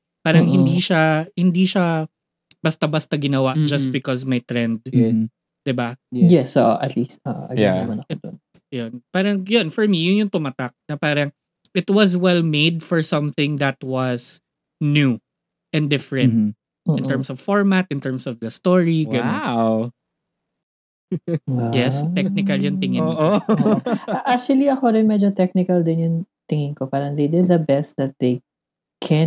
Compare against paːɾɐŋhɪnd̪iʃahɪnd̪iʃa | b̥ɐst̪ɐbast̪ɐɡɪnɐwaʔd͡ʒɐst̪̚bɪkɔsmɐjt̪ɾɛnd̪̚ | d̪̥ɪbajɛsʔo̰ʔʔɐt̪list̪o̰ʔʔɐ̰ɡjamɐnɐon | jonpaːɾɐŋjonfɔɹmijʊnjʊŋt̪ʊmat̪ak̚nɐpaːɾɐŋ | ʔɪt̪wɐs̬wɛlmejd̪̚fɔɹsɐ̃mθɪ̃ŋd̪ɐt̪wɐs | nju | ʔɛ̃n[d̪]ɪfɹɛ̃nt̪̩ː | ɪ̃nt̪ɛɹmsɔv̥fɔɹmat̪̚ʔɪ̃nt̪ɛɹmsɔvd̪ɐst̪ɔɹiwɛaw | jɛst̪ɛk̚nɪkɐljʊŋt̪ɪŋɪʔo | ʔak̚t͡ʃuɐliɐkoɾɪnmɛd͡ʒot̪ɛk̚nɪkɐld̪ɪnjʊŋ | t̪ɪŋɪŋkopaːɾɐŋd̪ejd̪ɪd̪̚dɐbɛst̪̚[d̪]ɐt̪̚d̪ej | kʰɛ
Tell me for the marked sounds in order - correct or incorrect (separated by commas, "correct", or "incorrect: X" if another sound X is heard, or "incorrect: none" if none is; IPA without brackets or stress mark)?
correct, correct